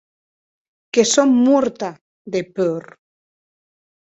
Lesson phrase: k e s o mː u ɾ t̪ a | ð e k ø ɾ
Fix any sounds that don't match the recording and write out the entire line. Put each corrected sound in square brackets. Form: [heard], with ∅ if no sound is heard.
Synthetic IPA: k e s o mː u ɾ t̪ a | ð e [p] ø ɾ